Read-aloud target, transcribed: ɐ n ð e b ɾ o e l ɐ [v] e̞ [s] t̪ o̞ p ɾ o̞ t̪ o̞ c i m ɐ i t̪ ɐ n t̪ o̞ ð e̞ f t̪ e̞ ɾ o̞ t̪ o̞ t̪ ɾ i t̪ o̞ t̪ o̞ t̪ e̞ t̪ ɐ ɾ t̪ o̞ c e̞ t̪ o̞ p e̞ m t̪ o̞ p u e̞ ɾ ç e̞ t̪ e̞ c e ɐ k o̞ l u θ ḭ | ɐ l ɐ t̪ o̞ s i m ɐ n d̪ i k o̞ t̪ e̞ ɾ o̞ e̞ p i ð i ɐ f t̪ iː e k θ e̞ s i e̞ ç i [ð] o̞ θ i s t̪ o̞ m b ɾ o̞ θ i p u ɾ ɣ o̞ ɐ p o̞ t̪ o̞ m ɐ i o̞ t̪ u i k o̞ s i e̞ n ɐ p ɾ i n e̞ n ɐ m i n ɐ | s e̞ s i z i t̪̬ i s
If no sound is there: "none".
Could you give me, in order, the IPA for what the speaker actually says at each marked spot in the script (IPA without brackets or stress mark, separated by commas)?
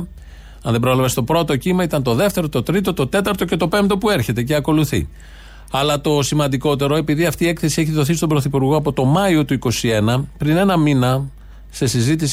v, s, ð